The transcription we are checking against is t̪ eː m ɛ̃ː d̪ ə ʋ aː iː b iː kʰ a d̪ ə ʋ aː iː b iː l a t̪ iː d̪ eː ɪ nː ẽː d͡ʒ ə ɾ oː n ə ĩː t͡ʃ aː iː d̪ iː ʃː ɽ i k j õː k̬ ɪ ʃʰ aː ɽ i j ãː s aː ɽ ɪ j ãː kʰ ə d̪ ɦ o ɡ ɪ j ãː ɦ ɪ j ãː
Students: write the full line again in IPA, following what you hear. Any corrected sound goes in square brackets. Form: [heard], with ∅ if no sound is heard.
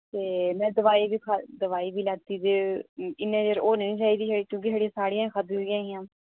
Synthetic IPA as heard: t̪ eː m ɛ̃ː d̪ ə ʋ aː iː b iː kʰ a d̪ ə ʋ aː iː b iː l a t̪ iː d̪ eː ɪ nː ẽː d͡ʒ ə ɾ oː n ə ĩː t͡ʃ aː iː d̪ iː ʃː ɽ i k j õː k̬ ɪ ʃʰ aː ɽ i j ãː s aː ɽ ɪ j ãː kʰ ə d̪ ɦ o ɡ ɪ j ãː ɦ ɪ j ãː